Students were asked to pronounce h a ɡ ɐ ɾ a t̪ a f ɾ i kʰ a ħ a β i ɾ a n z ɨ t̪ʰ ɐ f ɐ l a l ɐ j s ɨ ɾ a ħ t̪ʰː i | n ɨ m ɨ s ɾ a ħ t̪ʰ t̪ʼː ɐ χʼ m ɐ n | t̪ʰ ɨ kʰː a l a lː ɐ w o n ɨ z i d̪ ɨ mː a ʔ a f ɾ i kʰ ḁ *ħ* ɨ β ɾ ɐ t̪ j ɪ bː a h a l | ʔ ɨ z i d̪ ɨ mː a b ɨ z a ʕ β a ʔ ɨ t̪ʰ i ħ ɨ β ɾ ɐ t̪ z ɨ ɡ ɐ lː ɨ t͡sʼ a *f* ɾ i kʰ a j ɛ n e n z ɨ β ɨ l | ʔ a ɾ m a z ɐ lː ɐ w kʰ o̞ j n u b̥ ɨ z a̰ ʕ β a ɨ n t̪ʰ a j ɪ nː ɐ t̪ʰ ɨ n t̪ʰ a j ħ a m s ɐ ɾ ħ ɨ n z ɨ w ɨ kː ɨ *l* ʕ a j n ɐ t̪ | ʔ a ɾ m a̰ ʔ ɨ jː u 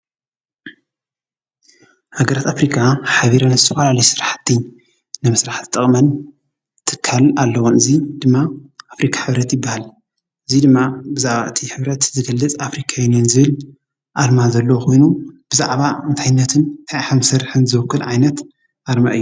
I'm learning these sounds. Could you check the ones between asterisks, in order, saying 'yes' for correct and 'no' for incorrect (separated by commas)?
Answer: yes, yes, yes